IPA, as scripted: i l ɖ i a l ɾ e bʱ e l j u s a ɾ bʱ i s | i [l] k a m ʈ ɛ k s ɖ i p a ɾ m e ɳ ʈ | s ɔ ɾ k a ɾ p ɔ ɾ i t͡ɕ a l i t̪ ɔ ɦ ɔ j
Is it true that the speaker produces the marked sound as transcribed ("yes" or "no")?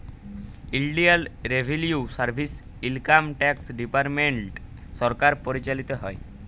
yes